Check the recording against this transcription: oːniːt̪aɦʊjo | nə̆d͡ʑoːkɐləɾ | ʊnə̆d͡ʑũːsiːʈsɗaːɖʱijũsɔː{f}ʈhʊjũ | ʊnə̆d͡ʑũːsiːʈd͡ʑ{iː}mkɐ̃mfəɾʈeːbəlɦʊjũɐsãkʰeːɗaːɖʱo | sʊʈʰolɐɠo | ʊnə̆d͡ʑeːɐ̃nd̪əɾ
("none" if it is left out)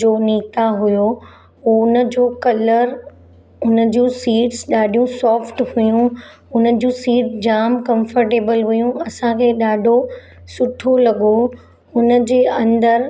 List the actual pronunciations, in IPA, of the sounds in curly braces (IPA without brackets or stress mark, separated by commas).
f, aː